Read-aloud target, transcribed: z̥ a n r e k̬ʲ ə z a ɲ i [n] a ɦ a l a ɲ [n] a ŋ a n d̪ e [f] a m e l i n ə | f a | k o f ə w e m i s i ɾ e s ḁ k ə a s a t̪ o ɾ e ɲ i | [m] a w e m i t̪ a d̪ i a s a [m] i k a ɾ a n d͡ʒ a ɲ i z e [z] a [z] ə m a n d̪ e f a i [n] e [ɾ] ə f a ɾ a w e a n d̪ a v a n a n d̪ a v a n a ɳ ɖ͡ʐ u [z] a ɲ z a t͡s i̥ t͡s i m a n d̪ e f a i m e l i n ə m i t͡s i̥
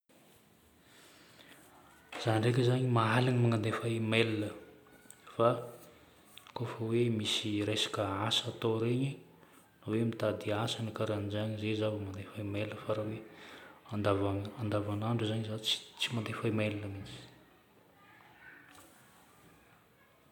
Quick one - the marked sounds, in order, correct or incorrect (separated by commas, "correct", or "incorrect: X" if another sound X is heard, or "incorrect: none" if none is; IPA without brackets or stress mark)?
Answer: incorrect: m, incorrect: m, correct, incorrect: n, incorrect: n, correct, incorrect: v, incorrect: m, incorrect: l, correct